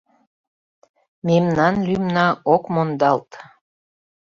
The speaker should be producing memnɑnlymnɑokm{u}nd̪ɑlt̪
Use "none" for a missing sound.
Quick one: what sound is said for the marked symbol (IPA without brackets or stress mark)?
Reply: o